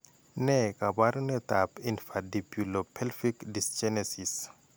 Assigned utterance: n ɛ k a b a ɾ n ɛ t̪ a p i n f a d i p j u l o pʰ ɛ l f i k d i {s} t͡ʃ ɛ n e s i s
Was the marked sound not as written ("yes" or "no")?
no